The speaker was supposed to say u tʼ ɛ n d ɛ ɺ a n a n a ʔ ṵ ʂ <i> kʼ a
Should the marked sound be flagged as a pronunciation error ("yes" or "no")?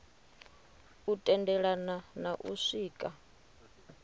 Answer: yes